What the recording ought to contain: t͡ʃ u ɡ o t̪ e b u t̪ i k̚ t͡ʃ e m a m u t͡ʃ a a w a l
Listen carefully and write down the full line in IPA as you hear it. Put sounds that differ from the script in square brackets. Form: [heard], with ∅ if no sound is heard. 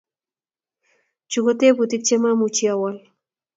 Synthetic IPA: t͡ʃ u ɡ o t̪ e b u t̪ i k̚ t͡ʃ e m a m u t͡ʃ [i] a w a l